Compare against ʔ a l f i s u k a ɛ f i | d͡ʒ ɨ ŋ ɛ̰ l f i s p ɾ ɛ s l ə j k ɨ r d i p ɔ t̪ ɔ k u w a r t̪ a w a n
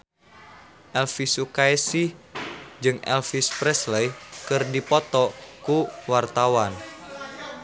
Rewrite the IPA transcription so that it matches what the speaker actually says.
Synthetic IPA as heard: ʔ ɛ l f i s u k a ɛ s i | d͡ʒ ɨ ŋ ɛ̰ l f i s p ɾ ɛ s l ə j k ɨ r d i p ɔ t̪ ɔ k u w a r t̪ a w a n